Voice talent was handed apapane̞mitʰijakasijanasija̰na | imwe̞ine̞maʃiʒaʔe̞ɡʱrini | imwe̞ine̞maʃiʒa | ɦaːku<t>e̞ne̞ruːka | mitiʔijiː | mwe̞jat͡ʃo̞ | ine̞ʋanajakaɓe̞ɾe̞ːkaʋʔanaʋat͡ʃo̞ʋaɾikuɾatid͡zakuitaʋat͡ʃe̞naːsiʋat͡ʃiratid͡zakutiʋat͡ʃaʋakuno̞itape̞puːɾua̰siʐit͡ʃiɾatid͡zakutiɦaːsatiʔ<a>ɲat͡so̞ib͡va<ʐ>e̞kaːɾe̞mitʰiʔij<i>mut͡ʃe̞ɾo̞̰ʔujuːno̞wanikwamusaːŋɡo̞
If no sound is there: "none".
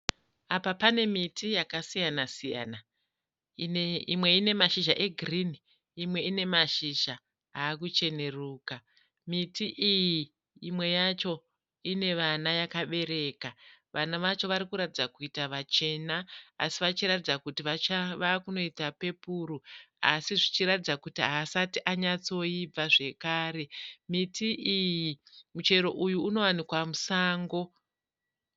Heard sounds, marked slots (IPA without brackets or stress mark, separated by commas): t͡ʃ, a, ʐ, i